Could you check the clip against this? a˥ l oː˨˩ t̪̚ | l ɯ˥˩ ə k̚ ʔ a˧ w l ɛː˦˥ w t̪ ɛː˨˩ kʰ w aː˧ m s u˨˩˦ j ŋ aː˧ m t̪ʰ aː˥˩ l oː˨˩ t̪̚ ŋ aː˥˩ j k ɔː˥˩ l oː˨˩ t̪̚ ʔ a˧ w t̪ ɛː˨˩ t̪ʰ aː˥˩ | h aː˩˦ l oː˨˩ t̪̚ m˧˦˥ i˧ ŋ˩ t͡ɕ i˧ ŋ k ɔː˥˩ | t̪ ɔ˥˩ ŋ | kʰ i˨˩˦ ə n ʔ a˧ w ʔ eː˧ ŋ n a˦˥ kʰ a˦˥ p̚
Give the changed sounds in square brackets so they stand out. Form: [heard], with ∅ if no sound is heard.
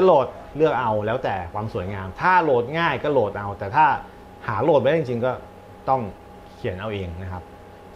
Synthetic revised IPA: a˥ l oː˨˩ t̪̚ | l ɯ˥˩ ə k̚ ʔ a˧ w l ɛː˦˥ w t̪ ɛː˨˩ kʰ w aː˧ m s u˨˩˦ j ŋ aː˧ m t̪ʰ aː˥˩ l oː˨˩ t̪̚ ŋ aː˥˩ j k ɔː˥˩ l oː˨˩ t̪̚ ʔ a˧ w t̪ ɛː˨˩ t̪ʰ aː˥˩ | h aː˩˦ l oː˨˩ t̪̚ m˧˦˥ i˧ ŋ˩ t͡ɕ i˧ ŋ k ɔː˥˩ | t̪ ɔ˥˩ ŋ | kʰ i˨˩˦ ə n ʔ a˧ w ʔ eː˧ ŋ n a˦˥ kʰ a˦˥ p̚